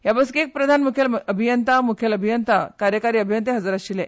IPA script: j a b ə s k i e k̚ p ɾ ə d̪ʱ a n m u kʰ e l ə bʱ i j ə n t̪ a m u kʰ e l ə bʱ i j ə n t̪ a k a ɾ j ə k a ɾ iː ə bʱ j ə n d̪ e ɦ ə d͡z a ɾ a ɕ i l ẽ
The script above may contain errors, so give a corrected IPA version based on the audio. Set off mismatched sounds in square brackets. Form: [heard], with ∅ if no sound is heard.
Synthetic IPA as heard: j a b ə s k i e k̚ p ɾ ə d̪ʱ a n m u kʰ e l ə bʱ i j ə n t̪ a m u kʰ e l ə bʱ i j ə n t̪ a k a ɾ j ə k a ɾ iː ə bʱ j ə n [t̪] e ɦ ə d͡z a ɾ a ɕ i l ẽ